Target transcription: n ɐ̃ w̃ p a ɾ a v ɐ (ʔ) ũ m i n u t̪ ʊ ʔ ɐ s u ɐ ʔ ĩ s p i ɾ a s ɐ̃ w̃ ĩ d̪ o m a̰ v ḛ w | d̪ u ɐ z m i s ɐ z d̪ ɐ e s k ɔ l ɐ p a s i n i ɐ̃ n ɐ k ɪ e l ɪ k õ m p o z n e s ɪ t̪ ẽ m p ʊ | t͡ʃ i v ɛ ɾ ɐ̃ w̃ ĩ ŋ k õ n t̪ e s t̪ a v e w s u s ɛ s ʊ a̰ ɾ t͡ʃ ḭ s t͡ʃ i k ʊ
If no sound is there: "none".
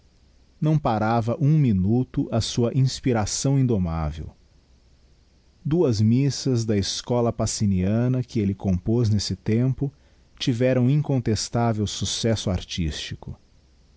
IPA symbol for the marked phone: ʔ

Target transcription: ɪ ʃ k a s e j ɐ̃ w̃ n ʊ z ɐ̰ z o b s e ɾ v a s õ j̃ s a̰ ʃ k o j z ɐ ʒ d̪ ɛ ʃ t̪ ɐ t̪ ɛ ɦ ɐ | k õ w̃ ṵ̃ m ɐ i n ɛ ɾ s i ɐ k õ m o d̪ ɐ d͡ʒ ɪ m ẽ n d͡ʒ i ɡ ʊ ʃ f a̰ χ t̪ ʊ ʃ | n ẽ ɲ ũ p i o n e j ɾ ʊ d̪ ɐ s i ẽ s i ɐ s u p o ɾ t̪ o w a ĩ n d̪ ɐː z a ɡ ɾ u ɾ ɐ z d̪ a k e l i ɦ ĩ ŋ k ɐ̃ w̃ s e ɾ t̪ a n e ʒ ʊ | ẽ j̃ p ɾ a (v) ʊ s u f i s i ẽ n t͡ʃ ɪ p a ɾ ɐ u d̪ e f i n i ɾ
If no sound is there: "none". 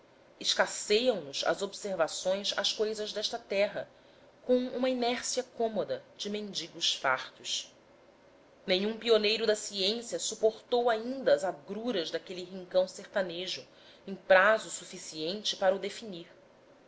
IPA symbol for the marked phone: z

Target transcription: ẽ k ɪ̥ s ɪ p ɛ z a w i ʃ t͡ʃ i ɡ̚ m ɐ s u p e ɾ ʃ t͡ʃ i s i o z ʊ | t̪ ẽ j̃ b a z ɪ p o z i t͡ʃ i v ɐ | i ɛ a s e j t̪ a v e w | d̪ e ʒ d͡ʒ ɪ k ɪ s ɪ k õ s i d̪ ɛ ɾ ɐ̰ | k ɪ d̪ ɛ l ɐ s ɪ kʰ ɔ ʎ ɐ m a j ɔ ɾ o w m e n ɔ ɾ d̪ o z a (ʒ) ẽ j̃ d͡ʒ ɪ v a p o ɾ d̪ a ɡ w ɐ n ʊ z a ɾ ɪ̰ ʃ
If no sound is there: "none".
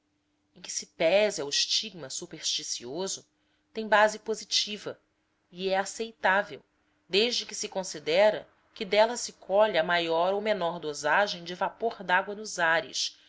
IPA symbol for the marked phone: ʒ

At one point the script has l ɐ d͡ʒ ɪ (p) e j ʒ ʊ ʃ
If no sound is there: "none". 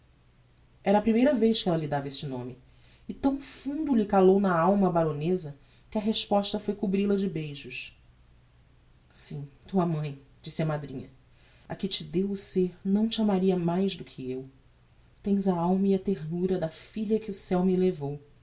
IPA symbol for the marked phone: b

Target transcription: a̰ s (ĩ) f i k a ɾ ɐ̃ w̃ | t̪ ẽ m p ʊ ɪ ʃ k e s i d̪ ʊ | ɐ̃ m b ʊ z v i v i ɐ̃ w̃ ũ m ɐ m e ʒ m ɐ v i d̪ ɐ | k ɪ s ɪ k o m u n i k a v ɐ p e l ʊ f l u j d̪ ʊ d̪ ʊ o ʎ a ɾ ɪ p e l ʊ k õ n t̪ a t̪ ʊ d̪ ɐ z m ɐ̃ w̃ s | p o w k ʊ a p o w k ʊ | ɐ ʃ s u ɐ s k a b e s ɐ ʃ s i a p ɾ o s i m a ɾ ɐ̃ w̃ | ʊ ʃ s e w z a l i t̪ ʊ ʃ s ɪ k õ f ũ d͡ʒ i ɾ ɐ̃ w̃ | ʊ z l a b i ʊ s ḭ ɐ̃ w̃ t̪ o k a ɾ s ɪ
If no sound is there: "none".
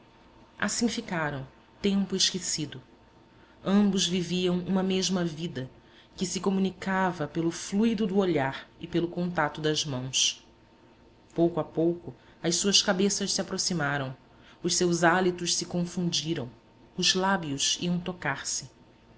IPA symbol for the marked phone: ĩ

